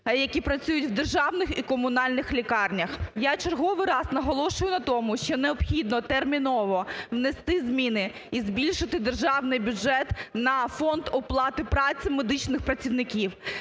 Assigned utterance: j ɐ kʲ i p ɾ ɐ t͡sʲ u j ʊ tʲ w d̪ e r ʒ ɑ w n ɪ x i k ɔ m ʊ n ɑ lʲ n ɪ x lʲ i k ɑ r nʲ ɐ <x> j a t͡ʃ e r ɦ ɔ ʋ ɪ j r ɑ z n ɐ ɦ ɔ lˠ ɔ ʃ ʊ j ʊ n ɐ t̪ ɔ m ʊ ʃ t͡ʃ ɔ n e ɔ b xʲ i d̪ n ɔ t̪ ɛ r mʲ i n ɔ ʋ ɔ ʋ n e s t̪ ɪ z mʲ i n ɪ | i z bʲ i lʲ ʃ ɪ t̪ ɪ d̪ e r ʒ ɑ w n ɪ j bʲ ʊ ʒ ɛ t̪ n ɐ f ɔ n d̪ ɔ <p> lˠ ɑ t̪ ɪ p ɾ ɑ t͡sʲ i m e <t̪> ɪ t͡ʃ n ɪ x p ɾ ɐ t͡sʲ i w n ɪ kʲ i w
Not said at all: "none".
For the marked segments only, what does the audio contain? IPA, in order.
x, p, d̪

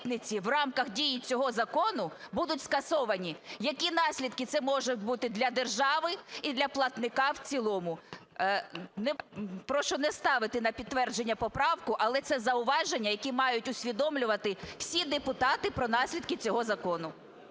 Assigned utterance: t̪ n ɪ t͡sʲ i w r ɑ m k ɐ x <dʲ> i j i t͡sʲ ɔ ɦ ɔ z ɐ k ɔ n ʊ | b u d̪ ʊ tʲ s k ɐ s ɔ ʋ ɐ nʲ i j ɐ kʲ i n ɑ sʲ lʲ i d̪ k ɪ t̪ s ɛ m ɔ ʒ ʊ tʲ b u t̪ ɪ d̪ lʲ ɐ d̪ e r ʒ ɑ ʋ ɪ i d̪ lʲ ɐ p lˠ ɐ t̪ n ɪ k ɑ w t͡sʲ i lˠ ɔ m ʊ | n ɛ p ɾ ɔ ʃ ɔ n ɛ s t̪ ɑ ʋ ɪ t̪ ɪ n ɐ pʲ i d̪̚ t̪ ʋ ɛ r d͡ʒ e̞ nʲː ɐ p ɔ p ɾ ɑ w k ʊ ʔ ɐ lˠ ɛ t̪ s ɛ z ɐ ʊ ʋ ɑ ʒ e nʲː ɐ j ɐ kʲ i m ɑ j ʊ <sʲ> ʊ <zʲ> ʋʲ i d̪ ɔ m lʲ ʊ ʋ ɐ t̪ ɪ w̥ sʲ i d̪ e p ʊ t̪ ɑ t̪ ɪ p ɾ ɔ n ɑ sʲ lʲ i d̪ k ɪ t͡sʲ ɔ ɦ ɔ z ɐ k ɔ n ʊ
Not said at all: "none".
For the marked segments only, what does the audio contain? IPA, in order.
dʲ, tʲ, sʲ

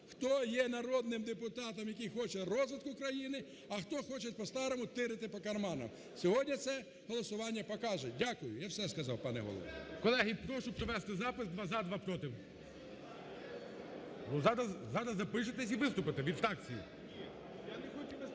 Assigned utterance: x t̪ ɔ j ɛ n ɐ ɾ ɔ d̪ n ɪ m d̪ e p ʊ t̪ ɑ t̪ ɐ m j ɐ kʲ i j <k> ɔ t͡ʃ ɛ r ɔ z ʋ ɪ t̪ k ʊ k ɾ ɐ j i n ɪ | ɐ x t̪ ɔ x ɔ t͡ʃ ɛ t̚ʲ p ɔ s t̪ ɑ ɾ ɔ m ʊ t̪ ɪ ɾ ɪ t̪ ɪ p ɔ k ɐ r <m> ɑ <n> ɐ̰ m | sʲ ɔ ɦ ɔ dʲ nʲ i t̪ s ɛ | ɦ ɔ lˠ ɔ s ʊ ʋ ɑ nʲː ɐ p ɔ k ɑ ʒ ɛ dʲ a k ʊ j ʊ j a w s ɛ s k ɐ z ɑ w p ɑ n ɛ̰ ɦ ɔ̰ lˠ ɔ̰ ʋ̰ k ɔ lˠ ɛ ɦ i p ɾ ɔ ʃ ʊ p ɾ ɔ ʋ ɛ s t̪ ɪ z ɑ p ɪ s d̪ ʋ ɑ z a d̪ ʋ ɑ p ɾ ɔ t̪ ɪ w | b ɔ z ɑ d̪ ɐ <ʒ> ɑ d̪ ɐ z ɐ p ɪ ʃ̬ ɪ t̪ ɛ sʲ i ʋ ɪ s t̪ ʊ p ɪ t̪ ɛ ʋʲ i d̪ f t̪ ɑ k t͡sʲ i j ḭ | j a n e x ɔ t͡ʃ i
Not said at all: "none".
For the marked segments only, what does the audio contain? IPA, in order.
x, m, n, z

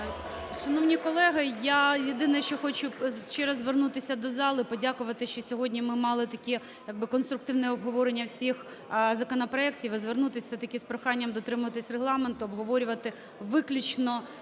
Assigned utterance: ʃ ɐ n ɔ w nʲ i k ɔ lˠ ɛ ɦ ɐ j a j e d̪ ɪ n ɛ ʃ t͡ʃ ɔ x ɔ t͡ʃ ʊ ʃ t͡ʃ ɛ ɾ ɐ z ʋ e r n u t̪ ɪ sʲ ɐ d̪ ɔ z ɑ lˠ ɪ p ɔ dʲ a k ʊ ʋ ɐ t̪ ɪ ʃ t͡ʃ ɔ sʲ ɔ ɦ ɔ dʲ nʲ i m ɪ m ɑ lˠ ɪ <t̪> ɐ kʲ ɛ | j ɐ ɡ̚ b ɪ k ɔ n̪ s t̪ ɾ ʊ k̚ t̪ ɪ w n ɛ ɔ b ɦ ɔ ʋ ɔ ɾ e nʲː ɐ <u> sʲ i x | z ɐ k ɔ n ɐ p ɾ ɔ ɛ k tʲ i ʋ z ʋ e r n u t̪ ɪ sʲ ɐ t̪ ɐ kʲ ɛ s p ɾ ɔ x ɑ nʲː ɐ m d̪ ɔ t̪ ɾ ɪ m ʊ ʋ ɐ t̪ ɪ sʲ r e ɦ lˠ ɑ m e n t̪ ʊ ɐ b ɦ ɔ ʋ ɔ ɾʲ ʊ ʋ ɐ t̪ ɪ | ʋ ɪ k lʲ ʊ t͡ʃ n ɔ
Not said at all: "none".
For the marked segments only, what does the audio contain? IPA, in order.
t̪, w

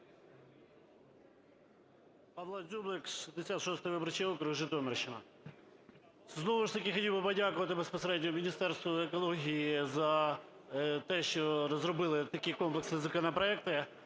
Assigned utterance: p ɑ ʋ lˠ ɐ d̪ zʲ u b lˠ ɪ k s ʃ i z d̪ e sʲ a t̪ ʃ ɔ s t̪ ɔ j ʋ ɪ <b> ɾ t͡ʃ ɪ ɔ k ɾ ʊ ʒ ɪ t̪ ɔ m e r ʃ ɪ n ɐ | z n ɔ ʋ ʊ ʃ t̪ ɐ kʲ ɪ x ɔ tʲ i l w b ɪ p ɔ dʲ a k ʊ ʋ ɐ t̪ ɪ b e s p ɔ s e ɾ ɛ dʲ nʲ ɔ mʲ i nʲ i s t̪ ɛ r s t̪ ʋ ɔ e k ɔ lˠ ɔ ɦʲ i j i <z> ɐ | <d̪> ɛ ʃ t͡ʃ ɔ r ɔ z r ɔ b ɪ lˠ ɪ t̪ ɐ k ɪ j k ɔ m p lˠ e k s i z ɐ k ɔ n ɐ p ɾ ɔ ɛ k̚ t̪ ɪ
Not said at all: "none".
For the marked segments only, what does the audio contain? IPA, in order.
b, z, t̪

